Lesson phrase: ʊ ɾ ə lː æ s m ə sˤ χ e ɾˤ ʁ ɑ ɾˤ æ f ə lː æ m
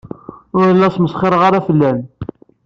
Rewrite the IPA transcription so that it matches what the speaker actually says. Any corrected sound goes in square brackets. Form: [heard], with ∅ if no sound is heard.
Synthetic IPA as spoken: ʊ ɾ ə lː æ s m ə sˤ χ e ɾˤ ʁ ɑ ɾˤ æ f ə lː æ [n]